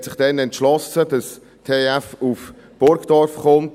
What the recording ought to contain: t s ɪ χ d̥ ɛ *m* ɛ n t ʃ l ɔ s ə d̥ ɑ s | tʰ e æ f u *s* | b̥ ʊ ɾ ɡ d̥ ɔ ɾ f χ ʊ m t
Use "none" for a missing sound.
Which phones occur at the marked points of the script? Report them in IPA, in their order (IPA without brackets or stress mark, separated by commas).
n, f